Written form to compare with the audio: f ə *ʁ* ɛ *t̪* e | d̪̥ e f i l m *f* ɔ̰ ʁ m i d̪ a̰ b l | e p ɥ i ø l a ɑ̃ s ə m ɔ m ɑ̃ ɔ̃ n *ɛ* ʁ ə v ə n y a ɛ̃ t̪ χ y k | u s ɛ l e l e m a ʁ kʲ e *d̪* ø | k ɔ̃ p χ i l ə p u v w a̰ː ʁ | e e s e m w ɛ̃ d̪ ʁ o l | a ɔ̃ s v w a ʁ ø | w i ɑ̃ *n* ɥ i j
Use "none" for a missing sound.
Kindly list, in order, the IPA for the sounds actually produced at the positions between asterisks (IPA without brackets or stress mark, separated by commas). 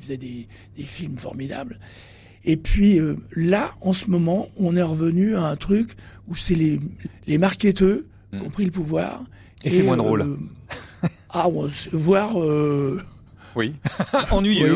z, d̪, f, ɛ, t̪, n